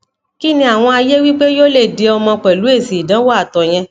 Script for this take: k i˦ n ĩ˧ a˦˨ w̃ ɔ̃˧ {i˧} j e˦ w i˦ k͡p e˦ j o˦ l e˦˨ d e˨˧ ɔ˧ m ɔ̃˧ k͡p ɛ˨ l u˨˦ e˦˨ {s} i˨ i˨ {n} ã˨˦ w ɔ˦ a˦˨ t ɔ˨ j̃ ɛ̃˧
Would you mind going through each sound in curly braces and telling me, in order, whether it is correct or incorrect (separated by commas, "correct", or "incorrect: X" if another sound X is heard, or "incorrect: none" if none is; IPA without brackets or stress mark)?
incorrect: a˧, correct, incorrect: d